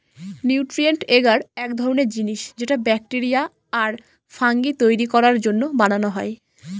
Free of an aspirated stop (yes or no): yes